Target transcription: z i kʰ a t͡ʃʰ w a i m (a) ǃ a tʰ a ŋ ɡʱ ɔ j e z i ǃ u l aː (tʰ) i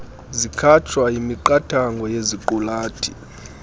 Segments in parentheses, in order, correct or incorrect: incorrect: i, correct

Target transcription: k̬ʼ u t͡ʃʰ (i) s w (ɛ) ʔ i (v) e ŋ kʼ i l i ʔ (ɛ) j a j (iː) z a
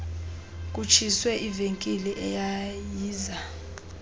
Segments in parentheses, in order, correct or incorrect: correct, correct, correct, correct, correct

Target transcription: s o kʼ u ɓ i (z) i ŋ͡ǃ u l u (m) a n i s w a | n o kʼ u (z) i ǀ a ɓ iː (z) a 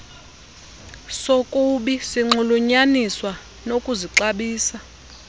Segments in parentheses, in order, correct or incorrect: incorrect: s, incorrect: ɲ, correct, incorrect: s

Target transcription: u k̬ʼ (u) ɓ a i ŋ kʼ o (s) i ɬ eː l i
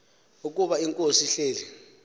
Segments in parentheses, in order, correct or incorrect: correct, correct

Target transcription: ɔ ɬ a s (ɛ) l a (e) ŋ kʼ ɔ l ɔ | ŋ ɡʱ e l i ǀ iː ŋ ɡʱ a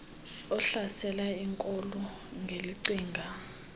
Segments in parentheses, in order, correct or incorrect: correct, incorrect: i

